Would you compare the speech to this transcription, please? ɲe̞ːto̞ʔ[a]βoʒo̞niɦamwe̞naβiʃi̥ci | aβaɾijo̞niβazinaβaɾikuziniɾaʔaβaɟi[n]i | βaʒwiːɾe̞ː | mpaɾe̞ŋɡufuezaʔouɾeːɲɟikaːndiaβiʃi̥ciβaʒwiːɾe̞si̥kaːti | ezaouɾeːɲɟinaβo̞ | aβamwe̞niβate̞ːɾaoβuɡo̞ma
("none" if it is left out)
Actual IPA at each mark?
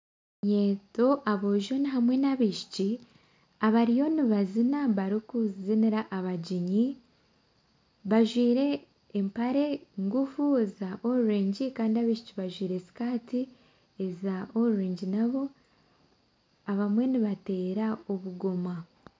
a, ɲ

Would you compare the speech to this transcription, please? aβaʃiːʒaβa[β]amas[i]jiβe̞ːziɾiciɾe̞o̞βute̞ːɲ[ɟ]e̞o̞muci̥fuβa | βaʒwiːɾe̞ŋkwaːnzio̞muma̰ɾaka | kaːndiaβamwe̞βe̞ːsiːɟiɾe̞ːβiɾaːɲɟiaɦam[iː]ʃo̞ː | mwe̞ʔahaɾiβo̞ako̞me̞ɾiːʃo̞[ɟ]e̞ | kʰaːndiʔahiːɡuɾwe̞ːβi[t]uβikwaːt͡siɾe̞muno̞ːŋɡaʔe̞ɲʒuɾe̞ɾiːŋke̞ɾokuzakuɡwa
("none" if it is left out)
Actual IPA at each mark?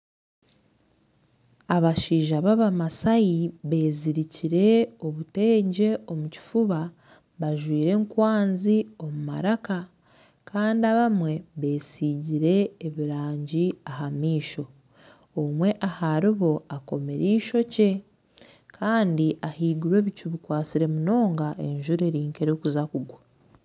β, a, ɟ, iː, c, c

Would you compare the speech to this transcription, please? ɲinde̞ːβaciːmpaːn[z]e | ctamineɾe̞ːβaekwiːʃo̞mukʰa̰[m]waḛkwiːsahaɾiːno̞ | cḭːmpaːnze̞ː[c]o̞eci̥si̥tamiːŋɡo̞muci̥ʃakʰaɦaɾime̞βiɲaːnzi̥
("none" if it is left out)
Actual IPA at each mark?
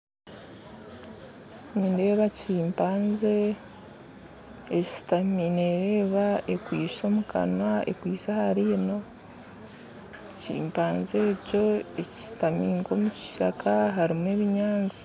z, n, c

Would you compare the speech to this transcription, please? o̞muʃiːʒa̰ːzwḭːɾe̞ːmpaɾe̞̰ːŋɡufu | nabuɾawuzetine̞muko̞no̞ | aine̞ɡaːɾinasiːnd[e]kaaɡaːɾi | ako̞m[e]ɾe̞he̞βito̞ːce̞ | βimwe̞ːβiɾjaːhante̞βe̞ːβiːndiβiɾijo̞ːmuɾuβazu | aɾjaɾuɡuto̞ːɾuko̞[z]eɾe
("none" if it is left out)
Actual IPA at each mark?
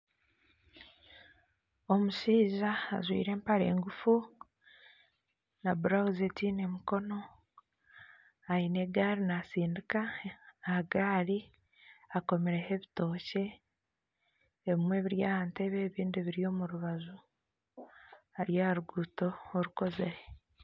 i, e, z

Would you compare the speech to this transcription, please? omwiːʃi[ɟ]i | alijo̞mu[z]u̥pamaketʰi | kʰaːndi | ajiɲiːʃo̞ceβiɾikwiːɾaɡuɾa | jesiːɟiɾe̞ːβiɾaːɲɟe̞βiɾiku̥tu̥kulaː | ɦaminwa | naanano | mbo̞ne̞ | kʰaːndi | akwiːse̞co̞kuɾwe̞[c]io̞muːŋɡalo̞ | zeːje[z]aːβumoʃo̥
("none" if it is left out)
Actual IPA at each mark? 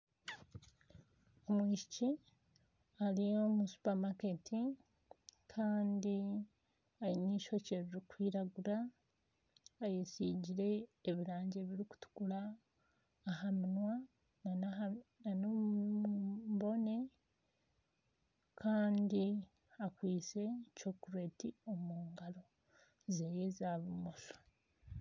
c, s, t, z

